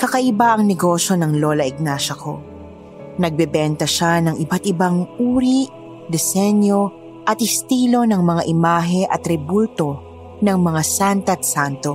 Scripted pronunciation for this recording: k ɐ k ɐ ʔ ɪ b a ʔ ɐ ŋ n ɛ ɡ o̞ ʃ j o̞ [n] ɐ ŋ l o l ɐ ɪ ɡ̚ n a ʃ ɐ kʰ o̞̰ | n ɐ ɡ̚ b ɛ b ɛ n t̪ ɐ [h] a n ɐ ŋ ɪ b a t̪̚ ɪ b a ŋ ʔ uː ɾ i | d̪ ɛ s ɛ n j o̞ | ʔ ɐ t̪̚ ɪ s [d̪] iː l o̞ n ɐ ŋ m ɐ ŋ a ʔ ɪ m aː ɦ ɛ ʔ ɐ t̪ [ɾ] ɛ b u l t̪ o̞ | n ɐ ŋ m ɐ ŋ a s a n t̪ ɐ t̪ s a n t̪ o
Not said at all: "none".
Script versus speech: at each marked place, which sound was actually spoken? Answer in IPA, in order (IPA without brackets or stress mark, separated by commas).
n, ʃ, t̪, ɾ